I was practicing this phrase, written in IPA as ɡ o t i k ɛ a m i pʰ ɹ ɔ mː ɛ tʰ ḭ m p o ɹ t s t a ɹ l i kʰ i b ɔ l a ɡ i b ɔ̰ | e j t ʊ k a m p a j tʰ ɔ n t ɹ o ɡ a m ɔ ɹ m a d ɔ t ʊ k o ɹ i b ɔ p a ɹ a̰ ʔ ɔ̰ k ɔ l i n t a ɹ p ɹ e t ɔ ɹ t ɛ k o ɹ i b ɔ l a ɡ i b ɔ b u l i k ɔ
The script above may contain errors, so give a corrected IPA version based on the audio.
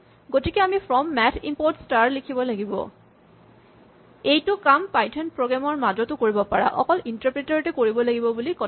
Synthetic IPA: ɡ o t i k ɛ a m i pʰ ɹ ɔ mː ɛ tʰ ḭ m p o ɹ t s t a ɹ l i kʰ i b ɔ l a ɡ i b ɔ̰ | e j t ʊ k a m p a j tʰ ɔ n p ɹ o ɡ a m ɔ ɹ m a d ɔ t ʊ k o ɹ i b ɔ p a ɹ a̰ ʔ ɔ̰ k ɔ l i n t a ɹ p ɹ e t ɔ ɹ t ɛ k o ɹ i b ɔ l a ɡ i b ɔ b u l i k ɔ